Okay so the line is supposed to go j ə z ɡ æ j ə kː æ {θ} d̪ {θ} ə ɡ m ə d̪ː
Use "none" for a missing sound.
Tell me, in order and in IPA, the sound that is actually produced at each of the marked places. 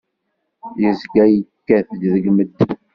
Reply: θ, ð

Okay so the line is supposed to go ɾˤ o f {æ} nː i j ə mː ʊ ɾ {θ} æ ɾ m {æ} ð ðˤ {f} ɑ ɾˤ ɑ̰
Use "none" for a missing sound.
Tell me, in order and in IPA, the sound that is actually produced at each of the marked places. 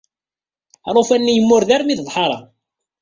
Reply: æ, ð, i, ħ

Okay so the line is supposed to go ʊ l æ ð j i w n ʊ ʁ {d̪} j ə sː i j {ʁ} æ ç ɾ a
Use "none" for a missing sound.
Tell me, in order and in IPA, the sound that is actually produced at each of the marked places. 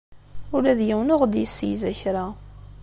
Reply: d̪, z

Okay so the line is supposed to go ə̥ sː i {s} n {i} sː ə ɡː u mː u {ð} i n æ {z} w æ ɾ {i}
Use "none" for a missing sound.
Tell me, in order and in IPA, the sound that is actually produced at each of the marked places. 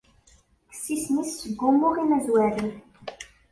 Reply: s, i, ʁ, z, i

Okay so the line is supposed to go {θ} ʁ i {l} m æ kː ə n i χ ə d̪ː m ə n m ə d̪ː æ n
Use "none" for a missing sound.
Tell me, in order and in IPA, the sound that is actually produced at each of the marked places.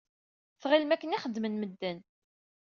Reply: θ, l

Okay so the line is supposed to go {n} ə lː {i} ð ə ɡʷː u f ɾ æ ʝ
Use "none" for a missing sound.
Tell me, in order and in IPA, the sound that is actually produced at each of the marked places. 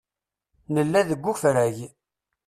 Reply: n, æ

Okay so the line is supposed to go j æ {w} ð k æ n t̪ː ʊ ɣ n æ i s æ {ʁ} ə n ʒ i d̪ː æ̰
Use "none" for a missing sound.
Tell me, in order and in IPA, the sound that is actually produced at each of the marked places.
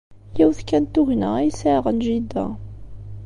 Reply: w, ʁ

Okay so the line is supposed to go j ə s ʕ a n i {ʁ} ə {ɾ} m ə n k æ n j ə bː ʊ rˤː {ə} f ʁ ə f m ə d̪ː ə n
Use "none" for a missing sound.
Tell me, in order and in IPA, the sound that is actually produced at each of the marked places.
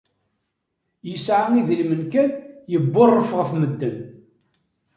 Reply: ð, l, ə

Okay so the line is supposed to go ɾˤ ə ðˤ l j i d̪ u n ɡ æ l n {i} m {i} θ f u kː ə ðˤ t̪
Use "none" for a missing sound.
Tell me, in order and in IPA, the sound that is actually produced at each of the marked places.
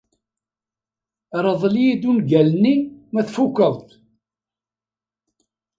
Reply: i, æ

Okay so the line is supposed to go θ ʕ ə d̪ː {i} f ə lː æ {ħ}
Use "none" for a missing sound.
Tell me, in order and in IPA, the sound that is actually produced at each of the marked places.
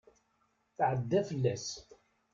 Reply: æ, s

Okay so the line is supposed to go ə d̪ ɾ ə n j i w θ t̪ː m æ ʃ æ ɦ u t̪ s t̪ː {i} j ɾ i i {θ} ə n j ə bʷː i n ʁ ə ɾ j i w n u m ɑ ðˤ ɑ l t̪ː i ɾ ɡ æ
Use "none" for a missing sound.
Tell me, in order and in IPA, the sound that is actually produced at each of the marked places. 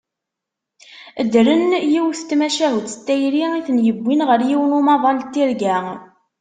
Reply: æ, θ

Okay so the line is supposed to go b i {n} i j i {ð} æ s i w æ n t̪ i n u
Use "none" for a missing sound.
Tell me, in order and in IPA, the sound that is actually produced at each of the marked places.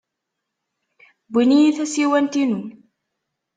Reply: n, θ

